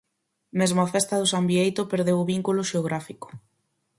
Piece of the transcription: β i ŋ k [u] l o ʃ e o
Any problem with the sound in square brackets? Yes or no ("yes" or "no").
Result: no